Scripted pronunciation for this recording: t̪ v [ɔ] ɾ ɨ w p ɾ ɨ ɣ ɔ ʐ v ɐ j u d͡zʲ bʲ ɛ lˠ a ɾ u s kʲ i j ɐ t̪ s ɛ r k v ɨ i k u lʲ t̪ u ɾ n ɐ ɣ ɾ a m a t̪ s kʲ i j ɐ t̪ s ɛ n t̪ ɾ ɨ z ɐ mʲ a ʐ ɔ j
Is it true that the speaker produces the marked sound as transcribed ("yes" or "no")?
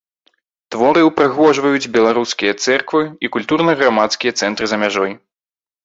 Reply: yes